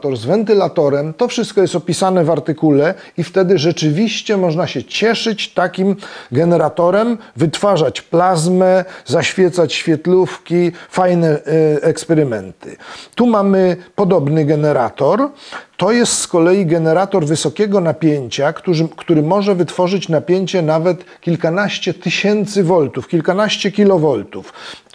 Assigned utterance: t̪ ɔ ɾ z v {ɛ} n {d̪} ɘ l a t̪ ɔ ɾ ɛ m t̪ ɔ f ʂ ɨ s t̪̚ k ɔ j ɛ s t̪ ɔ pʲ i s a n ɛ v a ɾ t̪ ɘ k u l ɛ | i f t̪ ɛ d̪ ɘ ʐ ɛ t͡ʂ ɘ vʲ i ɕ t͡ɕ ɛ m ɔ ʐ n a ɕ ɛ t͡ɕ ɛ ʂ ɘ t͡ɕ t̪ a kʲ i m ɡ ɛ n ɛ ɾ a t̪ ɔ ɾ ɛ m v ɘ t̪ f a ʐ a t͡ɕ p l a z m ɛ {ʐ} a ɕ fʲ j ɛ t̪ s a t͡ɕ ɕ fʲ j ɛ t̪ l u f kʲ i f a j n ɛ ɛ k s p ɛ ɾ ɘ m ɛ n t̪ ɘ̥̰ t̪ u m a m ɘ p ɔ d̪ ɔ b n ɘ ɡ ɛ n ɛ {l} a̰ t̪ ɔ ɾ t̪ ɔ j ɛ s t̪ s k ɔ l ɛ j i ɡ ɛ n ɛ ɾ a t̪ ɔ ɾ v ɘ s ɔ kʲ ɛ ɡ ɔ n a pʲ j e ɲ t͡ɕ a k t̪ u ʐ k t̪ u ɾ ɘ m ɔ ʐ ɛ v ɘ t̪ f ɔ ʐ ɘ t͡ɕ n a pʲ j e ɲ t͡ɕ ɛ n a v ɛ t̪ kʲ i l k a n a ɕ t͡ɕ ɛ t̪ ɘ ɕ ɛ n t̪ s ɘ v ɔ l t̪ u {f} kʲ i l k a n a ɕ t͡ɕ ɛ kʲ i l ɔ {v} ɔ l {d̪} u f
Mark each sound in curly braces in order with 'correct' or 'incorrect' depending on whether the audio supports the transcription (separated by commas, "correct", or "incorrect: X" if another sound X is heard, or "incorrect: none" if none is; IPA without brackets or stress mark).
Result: correct, incorrect: t̪, incorrect: z, incorrect: ɾ, correct, correct, incorrect: t̪